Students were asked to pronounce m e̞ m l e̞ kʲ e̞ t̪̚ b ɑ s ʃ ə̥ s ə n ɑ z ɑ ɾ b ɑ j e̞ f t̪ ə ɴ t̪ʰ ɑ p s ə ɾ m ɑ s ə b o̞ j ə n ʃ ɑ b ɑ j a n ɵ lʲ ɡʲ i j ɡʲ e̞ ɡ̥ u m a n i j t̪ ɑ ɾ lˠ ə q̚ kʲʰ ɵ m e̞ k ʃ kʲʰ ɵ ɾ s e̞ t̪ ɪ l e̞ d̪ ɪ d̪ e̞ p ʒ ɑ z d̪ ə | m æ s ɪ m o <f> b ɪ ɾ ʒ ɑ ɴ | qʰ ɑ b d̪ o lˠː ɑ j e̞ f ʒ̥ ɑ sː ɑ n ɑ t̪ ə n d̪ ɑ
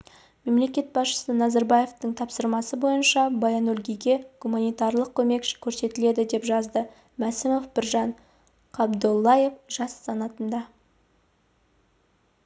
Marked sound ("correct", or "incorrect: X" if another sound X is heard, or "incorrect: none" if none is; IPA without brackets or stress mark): correct